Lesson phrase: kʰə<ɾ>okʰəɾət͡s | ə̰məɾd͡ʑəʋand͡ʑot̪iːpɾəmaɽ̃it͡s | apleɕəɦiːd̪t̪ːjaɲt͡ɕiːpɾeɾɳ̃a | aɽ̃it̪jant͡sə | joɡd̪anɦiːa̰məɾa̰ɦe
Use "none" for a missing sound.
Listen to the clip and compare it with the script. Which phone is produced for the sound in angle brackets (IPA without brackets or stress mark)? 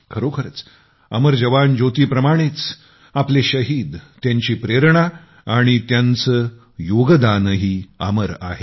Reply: ɾ